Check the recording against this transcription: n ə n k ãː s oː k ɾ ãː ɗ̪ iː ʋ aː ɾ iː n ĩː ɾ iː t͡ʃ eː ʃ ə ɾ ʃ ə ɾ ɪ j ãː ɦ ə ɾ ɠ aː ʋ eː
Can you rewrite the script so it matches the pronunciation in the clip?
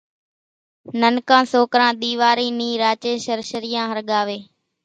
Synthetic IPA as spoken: n ə n k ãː s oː k ɾ ãː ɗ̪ iː ʋ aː ɾ iː n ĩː ɾ aː t͡ʃ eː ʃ ə ɾ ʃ ə ɾ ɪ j ãː ɦ ə ɾ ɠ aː ʋ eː